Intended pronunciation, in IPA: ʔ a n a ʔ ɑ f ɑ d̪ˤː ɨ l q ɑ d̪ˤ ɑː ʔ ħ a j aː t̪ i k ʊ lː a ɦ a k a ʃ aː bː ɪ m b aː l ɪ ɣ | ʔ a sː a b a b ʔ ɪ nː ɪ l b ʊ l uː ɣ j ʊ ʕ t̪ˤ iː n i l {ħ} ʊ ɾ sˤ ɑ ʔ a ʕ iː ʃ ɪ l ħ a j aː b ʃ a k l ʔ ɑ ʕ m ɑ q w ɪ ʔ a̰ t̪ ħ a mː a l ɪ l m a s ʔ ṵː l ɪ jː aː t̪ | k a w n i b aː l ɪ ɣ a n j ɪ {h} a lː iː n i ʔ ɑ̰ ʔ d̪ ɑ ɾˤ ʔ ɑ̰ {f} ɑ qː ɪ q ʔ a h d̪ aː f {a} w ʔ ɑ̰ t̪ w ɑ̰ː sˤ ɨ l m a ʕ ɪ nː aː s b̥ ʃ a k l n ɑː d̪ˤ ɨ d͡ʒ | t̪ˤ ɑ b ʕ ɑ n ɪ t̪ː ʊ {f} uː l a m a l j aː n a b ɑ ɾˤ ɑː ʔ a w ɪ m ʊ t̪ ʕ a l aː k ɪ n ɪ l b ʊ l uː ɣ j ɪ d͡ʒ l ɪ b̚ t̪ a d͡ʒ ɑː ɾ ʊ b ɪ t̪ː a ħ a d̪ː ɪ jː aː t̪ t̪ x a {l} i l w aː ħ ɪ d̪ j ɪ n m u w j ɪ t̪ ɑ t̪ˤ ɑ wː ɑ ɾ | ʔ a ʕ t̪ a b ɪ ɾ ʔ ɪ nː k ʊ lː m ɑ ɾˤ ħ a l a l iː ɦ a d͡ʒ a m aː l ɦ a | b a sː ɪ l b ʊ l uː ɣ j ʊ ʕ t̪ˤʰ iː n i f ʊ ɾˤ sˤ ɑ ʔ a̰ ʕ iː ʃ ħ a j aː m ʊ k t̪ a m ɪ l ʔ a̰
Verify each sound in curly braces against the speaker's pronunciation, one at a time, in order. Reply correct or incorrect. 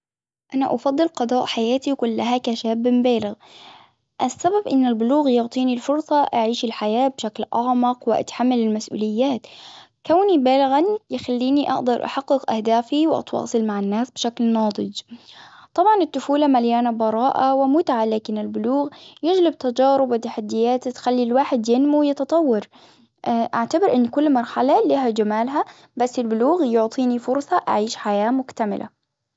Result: incorrect: f, incorrect: x, incorrect: ħ, incorrect: i, correct, incorrect: lː

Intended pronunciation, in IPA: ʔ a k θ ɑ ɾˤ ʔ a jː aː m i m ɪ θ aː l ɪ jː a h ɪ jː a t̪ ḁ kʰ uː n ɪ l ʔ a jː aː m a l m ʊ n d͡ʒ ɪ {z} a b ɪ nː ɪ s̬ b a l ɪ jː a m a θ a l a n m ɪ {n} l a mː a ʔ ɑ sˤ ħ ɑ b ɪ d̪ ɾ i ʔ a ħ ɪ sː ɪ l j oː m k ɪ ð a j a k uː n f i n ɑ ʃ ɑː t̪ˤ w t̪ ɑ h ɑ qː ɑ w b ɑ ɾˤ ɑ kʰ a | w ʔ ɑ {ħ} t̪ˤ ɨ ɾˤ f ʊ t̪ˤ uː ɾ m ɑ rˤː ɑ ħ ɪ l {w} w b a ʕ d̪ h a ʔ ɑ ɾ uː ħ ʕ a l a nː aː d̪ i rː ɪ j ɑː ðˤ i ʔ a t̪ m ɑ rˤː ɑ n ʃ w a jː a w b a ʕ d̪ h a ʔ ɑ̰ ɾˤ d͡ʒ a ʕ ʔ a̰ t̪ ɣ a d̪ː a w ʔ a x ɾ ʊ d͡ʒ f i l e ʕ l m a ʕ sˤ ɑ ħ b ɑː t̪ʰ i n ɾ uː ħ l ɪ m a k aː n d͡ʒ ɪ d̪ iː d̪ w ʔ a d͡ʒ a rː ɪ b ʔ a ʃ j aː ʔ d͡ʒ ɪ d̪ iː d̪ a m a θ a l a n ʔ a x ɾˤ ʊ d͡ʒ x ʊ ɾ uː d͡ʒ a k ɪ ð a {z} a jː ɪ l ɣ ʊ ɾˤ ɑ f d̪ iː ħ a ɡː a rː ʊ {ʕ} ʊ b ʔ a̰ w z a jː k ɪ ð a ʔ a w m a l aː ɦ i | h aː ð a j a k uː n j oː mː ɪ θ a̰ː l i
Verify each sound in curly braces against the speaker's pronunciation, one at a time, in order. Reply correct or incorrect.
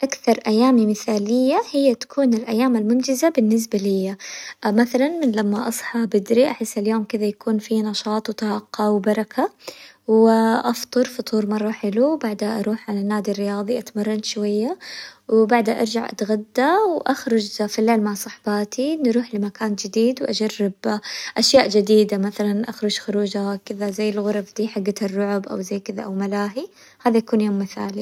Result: correct, correct, incorrect: f, incorrect: u, correct, correct

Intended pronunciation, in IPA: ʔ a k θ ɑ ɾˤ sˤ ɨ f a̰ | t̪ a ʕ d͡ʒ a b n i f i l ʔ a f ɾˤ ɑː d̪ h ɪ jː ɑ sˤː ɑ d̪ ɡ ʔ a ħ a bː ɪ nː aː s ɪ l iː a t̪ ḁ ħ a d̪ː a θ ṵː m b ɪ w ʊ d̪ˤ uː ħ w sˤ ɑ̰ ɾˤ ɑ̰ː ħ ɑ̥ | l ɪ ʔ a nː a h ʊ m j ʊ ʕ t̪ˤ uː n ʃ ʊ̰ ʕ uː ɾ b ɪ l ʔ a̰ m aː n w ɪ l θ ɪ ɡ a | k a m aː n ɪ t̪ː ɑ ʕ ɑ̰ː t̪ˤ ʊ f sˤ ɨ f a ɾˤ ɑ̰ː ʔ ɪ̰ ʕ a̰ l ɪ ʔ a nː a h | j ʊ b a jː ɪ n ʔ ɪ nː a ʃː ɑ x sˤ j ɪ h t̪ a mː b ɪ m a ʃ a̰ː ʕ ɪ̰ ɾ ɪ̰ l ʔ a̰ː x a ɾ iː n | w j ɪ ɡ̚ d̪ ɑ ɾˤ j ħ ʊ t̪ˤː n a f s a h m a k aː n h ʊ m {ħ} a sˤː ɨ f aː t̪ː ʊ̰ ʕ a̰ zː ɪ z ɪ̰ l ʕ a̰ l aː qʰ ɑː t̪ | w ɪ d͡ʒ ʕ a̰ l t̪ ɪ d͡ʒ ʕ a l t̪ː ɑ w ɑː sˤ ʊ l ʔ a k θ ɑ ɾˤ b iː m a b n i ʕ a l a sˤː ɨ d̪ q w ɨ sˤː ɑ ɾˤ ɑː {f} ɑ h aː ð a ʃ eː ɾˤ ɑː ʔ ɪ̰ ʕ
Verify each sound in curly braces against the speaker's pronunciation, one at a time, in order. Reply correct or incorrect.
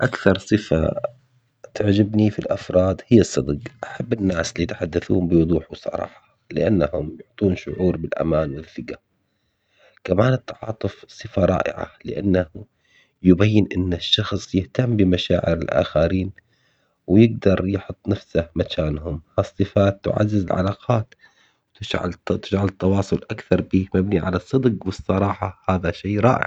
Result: incorrect: h, incorrect: ħ

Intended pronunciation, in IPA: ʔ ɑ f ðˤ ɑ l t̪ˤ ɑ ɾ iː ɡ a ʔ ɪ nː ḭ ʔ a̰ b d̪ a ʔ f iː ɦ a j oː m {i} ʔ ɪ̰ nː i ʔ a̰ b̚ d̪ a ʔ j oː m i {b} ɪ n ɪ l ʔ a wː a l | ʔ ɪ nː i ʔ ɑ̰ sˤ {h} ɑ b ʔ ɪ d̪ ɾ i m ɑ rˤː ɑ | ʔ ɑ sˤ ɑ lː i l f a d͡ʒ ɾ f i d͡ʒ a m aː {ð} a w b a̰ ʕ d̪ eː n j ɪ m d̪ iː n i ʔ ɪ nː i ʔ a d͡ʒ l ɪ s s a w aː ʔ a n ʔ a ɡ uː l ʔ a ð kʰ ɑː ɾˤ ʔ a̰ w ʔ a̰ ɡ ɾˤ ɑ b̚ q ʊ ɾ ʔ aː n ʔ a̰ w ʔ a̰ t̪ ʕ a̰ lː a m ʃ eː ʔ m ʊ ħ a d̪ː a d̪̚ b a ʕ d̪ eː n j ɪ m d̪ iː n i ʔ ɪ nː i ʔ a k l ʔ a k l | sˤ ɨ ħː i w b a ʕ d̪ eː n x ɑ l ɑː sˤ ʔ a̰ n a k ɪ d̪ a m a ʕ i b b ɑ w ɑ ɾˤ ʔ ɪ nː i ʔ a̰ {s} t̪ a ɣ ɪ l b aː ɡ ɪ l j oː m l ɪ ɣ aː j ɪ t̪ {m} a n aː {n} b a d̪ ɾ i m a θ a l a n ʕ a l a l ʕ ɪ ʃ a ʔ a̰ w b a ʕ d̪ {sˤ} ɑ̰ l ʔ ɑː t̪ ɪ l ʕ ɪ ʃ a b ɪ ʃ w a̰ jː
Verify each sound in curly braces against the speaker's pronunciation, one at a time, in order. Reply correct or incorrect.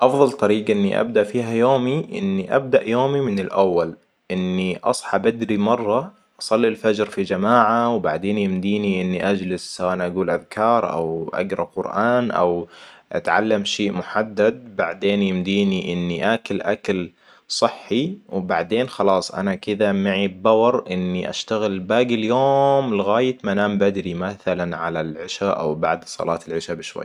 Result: correct, incorrect: m, incorrect: ħ, incorrect: ʕ, incorrect: ʃ, correct, incorrect: m, correct

